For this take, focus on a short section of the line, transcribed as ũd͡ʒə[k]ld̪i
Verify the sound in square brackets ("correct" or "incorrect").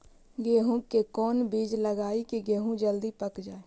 incorrect